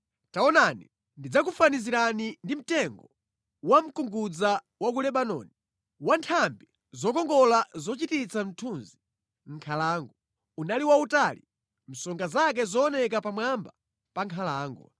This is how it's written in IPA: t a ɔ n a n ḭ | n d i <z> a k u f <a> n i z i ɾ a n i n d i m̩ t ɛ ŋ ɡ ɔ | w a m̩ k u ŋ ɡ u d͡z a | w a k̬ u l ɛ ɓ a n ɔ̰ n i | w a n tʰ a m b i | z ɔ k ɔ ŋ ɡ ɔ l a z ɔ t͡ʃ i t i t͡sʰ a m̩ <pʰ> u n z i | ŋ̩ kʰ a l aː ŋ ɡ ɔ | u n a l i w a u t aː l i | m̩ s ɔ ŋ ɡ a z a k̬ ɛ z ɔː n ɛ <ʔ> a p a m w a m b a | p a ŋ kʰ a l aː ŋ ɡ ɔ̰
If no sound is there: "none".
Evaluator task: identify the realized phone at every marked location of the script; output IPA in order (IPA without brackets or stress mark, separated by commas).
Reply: d͡z, a, tʰ, k